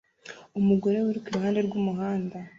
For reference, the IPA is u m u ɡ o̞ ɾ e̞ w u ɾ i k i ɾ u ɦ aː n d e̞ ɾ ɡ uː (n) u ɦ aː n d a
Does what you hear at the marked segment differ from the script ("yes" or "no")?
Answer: yes